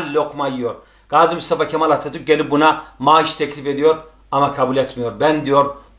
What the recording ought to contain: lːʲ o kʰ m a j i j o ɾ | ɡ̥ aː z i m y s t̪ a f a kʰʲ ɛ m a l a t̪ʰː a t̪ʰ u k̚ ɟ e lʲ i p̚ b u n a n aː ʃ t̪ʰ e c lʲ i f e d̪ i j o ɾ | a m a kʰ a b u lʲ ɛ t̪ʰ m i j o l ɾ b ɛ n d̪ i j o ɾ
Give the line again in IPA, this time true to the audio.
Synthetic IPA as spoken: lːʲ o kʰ m a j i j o ɾ | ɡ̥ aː z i m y s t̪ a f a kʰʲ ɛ m a l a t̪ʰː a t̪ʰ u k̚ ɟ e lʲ i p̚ b u n a m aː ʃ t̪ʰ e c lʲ i f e d̪ i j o ɾ | a m a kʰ a b u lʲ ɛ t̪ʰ m i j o ɾ b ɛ n d̪ i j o ɾ